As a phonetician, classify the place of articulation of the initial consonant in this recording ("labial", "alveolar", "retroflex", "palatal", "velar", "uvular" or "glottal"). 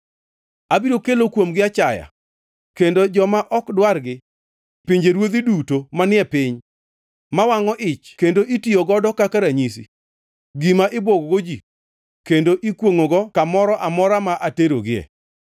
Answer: labial